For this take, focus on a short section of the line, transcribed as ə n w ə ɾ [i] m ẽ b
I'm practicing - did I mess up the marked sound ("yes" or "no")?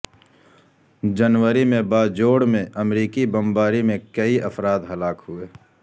no